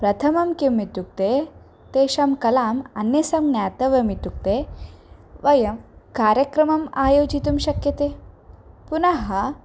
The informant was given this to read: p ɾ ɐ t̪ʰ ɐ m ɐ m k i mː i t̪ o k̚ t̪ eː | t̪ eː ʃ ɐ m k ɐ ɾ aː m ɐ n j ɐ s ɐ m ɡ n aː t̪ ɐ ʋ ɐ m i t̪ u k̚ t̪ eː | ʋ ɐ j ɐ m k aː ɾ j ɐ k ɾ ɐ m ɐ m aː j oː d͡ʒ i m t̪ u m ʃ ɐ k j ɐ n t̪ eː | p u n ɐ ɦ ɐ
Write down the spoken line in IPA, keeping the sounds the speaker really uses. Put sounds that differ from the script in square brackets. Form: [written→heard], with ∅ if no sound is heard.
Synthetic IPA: p ɾ ɐ t̪ʰ ɐ m ɐ m k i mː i t̪ [o→u] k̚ t̪ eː | t̪ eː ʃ ɐ m k ɐ [ɾ→l] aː m ɐ n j ɐ s ɐ m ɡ n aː t̪ ɐ ʋ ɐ m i t̪ u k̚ t̪ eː | ʋ ɐ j ɐ m k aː ɾ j ɐ k ɾ ɐ m ɐ m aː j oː d͡ʒ i [m→∅] t̪ u m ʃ ɐ k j ɐ [n→∅] t̪ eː | p u n ɐ ɦ ɐ